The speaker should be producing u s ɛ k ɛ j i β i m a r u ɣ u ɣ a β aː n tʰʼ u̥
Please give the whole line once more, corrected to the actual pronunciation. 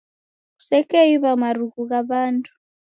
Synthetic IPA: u s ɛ k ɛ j i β a m a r u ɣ u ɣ a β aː n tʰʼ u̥